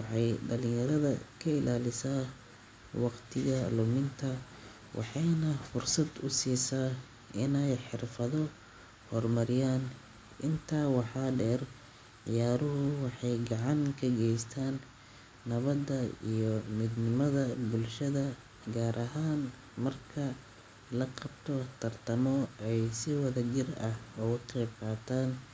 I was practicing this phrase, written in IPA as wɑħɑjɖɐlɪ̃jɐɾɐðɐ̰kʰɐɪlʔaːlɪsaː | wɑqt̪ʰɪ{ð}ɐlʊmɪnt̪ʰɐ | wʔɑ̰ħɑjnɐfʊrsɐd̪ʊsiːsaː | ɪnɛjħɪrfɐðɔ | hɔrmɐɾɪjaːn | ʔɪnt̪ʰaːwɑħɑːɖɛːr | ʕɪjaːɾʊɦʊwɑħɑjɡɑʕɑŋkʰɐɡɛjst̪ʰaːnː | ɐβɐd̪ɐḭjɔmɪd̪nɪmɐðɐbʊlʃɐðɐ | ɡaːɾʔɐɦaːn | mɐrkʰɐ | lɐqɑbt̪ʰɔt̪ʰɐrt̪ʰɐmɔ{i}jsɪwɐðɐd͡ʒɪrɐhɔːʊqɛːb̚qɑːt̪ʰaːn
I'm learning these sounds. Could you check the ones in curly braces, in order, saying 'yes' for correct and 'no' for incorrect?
no, no

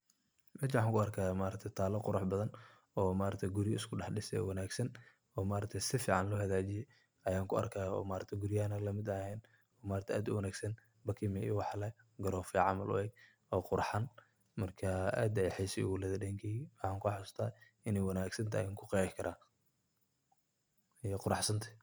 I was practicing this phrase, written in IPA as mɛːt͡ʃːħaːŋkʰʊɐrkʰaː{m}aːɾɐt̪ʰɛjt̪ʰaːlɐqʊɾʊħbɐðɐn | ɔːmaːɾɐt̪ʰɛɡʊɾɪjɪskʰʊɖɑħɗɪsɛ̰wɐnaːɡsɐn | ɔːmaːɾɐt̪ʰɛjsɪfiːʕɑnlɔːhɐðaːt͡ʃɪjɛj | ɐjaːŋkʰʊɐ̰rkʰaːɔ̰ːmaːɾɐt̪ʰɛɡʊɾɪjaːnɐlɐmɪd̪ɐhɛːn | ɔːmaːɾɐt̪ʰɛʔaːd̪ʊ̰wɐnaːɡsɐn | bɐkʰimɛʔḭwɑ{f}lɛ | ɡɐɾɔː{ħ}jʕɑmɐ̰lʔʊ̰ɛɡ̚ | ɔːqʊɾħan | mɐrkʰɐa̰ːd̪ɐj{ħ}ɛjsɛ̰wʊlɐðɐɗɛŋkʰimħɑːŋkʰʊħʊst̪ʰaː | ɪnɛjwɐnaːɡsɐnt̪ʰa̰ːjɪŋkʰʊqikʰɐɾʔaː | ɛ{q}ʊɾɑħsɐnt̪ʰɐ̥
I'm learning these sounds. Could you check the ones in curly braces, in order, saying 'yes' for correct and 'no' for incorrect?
yes, no, no, yes, yes

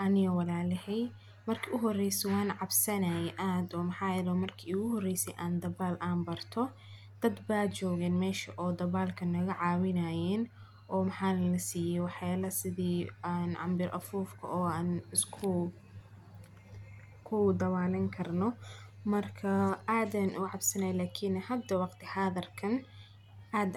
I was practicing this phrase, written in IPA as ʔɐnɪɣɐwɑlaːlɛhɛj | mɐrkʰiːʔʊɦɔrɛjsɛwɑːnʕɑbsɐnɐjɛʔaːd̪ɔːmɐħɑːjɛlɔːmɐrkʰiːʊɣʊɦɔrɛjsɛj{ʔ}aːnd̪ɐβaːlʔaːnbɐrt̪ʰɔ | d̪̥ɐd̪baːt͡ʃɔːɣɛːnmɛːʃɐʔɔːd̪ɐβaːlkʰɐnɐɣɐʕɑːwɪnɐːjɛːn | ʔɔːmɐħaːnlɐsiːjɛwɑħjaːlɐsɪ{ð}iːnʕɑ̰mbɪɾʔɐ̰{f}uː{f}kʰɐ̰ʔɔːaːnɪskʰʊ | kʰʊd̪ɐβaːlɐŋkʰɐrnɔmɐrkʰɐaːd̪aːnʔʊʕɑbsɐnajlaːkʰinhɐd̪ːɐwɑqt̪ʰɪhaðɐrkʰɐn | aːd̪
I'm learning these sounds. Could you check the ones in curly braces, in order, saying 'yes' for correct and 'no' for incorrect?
yes, yes, yes, yes

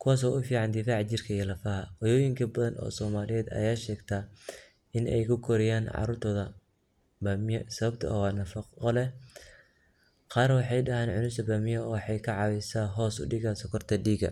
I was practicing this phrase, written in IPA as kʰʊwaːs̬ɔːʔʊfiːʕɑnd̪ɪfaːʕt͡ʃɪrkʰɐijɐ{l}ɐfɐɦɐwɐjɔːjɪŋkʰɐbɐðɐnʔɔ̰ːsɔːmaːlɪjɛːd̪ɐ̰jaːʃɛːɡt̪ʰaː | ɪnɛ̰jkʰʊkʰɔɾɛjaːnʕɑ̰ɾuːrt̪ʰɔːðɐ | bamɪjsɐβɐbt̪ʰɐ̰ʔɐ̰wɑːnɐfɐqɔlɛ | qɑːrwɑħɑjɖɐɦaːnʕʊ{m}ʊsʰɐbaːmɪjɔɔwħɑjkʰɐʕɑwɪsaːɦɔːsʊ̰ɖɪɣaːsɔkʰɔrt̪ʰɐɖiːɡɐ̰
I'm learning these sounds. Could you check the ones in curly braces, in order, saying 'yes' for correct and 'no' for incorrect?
yes, no

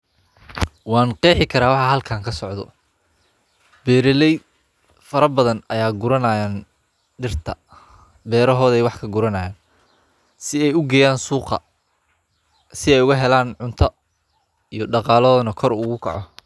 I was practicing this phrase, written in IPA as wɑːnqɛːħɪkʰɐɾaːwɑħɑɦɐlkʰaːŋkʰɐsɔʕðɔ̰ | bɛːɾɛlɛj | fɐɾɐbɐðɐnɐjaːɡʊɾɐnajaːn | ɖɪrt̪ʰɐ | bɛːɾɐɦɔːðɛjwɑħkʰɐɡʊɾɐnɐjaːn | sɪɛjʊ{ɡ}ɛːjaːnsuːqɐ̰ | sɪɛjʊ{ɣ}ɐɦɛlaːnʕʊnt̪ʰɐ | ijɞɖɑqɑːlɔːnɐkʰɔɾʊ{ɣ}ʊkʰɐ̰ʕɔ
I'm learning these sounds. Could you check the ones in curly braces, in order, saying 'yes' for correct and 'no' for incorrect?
yes, yes, yes

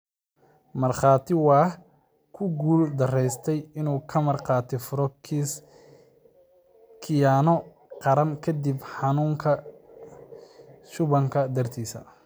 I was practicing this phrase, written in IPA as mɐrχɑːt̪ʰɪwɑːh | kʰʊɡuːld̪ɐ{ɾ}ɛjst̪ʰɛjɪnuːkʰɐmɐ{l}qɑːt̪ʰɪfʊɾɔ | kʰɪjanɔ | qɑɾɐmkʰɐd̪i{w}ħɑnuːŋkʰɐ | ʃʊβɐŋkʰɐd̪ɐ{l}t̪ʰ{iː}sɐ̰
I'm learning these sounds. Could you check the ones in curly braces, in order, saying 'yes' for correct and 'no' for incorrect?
no, no, no, no, yes

